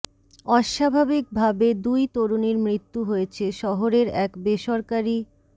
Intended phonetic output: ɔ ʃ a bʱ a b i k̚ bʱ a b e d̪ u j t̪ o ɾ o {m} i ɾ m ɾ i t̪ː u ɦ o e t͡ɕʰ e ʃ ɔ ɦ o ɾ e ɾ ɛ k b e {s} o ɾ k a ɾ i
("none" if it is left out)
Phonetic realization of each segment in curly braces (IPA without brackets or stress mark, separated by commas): n, ʃ